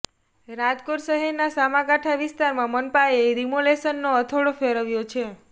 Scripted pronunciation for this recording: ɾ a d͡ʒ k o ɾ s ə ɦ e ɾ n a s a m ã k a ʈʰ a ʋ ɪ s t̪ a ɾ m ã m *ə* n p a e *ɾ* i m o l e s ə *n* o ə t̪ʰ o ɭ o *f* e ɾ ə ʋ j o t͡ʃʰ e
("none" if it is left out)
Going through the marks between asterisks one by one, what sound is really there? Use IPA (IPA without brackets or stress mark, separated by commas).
ə, ɾ, nː, f